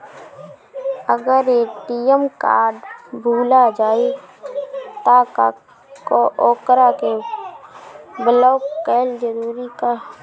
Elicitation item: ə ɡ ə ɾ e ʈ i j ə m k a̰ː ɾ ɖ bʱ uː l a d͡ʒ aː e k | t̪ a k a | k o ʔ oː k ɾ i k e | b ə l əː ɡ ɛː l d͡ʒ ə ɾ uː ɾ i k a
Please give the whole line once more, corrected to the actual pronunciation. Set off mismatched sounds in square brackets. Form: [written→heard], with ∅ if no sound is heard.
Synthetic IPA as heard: ə ɡ ə ɾ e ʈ i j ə m k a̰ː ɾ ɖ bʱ uː l a d͡ʒ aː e [k→∅] | t̪ a k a | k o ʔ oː k ɾ [i→a] k e | b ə l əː [ɡ→k] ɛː l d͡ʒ ə ɾ uː ɾ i k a